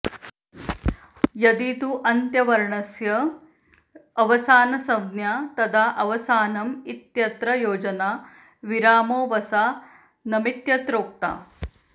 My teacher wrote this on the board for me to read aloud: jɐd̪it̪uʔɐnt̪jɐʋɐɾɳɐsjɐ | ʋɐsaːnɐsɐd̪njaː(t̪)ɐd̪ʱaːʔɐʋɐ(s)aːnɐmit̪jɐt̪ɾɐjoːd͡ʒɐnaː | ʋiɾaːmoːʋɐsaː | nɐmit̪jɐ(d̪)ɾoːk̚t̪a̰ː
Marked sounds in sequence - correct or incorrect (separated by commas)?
correct, correct, incorrect